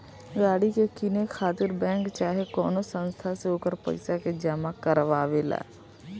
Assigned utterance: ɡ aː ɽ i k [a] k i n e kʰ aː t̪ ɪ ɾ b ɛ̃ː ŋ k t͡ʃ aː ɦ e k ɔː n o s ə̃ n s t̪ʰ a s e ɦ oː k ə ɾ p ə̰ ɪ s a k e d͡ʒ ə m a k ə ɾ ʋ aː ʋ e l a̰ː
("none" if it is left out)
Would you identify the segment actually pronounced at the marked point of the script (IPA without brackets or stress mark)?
e